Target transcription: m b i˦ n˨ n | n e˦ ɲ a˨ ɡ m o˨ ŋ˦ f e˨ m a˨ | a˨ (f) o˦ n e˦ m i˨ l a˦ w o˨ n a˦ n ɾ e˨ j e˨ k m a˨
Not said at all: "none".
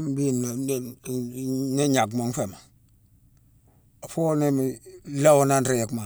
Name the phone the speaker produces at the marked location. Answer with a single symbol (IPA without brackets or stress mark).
f